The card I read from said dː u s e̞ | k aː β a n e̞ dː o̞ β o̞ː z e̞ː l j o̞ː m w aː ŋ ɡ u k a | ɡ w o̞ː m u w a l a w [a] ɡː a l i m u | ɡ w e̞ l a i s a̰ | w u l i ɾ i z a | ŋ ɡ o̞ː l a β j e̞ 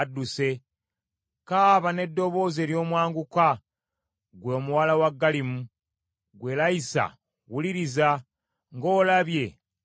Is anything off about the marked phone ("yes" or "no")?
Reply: no